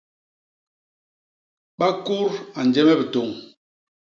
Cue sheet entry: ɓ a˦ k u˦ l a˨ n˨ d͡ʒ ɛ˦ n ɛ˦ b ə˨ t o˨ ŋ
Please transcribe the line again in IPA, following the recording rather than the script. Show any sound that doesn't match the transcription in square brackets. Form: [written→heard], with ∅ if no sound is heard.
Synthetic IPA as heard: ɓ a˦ k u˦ [l→ɾ] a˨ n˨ d͡ʒ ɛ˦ [n→m] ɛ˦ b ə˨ t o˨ ŋ